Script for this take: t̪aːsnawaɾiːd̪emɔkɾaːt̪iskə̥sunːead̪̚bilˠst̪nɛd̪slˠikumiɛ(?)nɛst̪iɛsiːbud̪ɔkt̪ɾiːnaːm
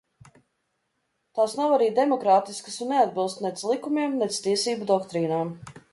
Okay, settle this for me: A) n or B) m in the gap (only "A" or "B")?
B